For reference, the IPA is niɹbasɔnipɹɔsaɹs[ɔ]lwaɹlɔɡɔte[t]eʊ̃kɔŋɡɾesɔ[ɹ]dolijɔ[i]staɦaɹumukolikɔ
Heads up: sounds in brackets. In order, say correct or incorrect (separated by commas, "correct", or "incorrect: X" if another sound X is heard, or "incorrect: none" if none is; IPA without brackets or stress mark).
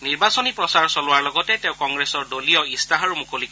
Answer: correct, correct, correct, correct